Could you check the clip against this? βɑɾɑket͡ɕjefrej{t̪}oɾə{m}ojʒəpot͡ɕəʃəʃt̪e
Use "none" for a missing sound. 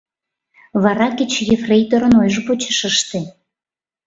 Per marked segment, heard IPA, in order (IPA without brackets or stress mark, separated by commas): t̪, n